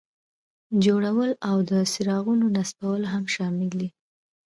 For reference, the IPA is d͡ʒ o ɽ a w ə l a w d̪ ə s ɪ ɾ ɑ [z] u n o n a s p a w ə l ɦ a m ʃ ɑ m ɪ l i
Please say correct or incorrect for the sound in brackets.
incorrect